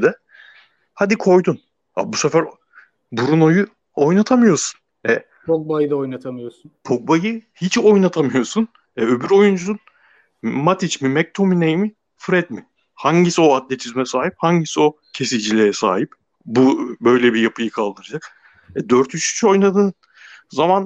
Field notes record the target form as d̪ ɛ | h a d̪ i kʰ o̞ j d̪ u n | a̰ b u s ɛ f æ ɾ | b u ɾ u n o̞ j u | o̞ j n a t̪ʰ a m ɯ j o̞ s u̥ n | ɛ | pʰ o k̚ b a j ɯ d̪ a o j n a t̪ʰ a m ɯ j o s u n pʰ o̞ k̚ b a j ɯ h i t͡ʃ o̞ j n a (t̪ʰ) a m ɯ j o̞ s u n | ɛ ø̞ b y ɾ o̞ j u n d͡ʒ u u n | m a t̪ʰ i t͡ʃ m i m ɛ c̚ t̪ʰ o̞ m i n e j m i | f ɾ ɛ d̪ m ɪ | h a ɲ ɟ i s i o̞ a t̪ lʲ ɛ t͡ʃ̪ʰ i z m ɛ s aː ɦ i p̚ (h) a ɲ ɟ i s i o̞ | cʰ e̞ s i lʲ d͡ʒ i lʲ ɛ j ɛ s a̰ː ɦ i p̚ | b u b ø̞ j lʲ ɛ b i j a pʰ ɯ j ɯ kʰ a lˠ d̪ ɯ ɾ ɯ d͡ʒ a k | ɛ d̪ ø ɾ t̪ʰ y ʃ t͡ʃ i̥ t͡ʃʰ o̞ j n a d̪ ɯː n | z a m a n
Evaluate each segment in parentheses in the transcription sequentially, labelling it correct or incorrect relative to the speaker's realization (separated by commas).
correct, correct